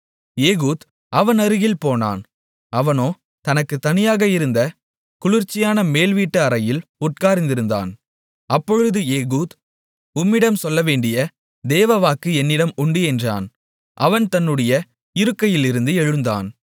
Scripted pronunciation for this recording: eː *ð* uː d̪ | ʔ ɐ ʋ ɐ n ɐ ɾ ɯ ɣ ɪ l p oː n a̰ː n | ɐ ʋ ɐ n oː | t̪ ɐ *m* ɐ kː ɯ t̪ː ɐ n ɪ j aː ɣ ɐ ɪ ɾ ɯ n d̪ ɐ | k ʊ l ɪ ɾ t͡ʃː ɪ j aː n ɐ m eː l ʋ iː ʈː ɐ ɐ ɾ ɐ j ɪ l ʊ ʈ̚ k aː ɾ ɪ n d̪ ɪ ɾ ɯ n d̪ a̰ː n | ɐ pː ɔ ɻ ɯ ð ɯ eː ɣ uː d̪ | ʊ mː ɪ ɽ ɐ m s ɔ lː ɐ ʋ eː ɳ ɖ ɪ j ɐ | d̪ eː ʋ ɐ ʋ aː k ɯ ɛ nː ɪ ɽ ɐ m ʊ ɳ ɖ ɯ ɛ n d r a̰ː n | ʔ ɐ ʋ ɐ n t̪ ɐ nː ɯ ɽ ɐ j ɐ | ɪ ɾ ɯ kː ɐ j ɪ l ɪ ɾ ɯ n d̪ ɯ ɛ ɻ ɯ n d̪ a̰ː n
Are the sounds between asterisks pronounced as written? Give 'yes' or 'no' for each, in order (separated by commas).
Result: no, no